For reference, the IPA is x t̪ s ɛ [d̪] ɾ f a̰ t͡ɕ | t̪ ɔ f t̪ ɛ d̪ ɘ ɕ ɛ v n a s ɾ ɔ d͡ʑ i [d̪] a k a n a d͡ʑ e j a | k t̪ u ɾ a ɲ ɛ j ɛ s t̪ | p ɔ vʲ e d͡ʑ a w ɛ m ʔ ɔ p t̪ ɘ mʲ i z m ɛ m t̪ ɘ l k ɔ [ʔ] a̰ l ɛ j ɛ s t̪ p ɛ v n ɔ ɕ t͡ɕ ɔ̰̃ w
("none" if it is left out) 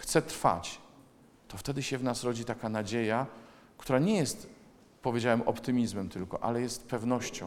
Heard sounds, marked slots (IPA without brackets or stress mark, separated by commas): t̪, t̪, ʔ